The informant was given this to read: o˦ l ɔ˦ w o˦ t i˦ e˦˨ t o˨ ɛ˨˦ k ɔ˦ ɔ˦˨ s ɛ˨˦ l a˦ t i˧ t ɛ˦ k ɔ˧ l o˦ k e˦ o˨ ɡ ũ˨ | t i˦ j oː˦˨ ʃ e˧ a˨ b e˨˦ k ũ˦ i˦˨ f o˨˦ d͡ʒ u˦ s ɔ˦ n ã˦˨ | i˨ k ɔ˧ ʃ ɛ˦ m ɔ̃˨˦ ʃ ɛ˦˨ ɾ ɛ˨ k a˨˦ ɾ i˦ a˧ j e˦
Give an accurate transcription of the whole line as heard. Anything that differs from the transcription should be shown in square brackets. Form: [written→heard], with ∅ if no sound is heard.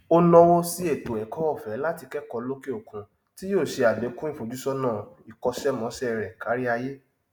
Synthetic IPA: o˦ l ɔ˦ w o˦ [t→s] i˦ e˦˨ t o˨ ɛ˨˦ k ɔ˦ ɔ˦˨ [s→f] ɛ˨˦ l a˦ t i˧ [t→k] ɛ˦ k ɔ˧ l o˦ k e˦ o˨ [ɡ→k] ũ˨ | t i˦ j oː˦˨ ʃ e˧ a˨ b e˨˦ k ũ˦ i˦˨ f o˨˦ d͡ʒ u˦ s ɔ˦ n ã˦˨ | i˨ k ɔ˧ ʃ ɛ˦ m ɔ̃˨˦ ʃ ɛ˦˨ ɾ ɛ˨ k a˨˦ ɾ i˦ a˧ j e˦